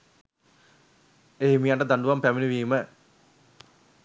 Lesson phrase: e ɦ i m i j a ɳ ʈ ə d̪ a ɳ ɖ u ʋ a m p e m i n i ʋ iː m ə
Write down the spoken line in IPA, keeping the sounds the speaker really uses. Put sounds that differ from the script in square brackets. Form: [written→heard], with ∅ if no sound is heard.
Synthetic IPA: e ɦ i m i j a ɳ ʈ ə d̪ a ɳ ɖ u ʋ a m p [e→æ] m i n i ʋ iː m ə

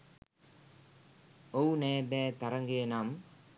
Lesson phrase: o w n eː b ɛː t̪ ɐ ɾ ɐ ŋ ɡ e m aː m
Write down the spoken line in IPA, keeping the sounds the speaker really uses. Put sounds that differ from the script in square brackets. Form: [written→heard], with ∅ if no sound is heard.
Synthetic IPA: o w n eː b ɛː t̪ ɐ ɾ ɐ ŋ ɡ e [m→n] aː m

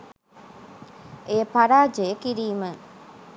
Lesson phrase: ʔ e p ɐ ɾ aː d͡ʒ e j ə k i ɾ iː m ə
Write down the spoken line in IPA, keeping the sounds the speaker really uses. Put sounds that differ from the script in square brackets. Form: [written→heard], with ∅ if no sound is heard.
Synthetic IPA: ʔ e p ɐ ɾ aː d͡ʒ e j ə k i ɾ iː m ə

